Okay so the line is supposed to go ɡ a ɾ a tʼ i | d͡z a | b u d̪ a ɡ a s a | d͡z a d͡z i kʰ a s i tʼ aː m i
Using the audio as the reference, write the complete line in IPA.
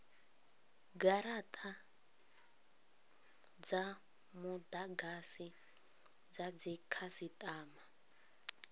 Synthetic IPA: ɡ a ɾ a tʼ a | d͡z a | m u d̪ a ɡ a s i | d͡z a d͡z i kʰ a s i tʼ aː m a

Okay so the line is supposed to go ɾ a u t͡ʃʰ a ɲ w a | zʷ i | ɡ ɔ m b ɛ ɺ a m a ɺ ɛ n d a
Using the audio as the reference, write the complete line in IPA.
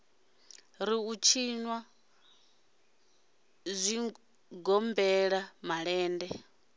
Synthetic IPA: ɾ i u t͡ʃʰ i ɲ w a | zʷ i | ɡ ɔ m b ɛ ɺ a m a ɺ ɛː n d ɛ

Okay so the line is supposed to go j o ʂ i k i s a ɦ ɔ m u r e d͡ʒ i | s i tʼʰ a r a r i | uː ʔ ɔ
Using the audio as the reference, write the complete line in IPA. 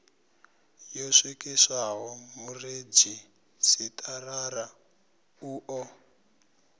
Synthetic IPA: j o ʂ i k i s a ɦ ɔ m u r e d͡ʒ i | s i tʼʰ a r a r a | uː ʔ ɔ

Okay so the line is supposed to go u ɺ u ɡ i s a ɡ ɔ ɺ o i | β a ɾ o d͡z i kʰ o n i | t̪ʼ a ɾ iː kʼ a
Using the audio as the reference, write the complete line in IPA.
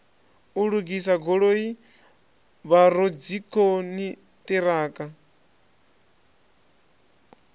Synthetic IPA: u ɺ u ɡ i s a ɡ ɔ ɺ o i | β a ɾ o d͡z i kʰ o n i | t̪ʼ i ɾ aː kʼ a

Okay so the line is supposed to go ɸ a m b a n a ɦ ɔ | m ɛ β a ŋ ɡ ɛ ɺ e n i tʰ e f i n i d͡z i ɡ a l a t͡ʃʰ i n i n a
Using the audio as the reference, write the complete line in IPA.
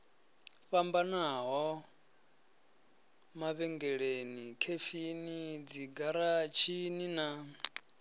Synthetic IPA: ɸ a m b a n a ɦ ɔ | m a β ɛ ŋ ɡ ɛ ɺ e n i kʰ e f i n i d͡z i ɡ a ɾ a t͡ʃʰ i n i n a

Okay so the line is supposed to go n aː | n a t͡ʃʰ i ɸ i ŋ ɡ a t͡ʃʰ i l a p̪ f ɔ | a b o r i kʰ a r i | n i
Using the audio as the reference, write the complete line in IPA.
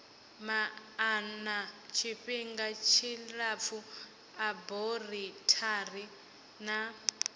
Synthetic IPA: m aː | n a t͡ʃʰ i ɸ i ŋ ɡ a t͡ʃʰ i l a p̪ f u | a b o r i tʰ a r i | n a

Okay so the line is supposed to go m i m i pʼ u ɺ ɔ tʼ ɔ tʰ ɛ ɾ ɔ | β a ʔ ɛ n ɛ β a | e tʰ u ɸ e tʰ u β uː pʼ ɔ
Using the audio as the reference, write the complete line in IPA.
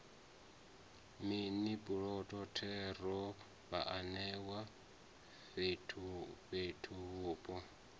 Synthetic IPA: m i n i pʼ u ɺ ɔ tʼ ɔ tʰ ɛ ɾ ɔ | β a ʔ a n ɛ w a | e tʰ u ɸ e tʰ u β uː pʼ ɔ

